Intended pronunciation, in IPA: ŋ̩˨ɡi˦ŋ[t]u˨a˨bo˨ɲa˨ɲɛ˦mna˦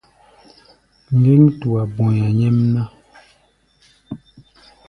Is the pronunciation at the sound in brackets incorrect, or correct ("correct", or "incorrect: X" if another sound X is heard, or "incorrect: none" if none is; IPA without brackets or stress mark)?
correct